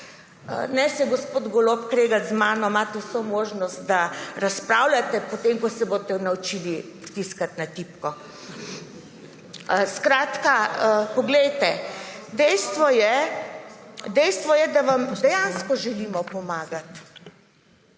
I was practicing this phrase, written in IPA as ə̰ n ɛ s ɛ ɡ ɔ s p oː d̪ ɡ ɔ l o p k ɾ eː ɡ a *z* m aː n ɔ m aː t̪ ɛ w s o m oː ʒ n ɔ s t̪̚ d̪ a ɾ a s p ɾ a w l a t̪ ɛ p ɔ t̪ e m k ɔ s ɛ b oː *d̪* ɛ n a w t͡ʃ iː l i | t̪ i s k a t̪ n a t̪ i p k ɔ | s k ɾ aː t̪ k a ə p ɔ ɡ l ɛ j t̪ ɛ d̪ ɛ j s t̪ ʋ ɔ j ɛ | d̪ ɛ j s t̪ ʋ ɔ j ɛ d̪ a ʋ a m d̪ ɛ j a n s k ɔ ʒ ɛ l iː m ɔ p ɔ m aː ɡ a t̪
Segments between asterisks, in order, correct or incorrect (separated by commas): correct, incorrect